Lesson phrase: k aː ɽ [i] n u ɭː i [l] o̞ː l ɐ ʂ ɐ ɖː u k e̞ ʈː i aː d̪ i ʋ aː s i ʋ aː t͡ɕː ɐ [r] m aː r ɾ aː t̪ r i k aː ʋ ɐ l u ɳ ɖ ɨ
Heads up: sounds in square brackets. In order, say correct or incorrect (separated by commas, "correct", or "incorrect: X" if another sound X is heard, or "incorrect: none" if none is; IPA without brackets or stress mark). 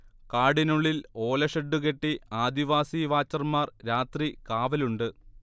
correct, correct, correct